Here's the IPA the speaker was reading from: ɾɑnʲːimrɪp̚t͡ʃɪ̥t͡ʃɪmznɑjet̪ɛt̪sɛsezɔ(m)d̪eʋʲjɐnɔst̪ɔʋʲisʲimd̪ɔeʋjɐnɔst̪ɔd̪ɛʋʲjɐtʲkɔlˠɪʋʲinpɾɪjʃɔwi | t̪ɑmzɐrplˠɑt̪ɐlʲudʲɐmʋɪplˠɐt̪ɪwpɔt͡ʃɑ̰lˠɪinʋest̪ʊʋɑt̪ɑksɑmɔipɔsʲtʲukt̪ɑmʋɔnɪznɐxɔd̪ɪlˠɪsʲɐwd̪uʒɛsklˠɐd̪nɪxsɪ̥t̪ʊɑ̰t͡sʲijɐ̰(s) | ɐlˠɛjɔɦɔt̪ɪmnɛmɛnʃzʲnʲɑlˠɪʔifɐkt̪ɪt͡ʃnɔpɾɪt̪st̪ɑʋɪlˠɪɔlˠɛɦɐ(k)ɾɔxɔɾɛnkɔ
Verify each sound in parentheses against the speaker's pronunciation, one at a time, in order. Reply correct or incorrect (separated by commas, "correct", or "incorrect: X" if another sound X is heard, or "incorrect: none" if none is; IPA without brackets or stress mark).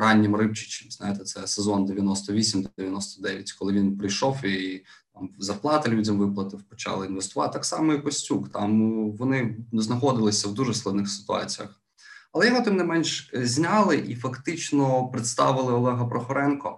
incorrect: n, incorrect: x, incorrect: p